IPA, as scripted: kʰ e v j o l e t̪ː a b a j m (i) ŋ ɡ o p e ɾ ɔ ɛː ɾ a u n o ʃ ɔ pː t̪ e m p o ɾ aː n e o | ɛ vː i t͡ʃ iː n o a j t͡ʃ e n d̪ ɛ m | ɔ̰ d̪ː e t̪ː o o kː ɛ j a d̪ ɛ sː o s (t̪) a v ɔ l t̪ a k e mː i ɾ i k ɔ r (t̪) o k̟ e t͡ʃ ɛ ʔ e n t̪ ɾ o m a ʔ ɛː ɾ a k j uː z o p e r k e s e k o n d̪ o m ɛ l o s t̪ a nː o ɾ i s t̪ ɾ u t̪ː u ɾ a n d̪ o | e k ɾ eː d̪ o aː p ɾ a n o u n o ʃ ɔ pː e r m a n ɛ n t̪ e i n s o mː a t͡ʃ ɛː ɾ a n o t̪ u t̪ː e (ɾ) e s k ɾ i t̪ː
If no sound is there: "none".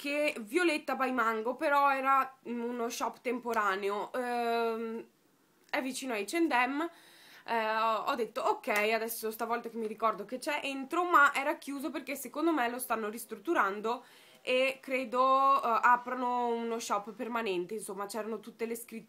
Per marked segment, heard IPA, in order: a, t̪, d̪, l

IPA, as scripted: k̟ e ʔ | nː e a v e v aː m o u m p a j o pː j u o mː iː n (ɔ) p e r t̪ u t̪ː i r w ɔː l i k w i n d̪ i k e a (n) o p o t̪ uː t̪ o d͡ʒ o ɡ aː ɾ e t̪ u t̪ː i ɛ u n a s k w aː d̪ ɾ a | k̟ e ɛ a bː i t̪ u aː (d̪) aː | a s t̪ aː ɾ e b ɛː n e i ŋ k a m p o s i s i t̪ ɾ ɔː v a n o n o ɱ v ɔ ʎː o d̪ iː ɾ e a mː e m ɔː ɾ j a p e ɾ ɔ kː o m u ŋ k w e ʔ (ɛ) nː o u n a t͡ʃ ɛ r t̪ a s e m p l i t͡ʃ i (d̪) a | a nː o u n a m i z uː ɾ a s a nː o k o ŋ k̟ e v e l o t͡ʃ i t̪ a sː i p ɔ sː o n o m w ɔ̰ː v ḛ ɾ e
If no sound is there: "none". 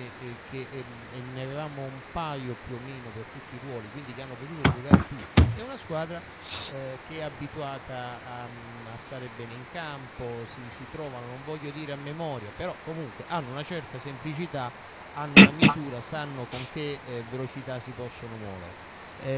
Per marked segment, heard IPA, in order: o, nː, t̪, a, t̪

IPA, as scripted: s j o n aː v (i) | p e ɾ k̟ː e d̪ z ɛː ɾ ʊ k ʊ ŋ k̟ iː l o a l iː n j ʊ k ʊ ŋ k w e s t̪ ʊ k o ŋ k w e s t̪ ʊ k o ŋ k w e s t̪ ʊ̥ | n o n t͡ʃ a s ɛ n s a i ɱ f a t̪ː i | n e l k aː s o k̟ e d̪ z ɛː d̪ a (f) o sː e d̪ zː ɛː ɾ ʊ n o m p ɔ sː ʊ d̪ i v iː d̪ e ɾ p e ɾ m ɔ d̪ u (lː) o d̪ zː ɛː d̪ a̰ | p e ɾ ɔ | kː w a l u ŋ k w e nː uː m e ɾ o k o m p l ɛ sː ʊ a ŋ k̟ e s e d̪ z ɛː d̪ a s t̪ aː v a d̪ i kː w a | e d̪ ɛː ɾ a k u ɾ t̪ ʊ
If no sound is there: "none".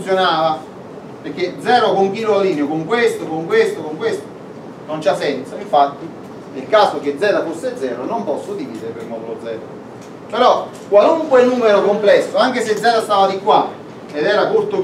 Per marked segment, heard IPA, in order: a, f, l

